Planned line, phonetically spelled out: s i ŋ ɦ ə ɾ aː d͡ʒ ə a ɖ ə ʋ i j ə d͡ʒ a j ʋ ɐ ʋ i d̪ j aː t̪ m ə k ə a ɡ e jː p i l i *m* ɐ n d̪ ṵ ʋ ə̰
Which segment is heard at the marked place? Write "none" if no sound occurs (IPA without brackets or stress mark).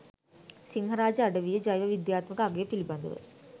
b